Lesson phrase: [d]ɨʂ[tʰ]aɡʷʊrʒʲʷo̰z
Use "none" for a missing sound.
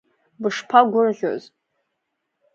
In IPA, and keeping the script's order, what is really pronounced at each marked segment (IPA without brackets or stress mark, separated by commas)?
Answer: b, pʰ